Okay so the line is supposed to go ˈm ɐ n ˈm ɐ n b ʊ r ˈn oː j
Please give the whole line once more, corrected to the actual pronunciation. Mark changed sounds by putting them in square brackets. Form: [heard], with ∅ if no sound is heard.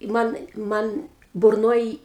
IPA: ˈm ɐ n ˈm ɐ n b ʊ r ˈn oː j